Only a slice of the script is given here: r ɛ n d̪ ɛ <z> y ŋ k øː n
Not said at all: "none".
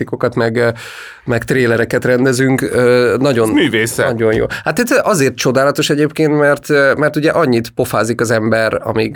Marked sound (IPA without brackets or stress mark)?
z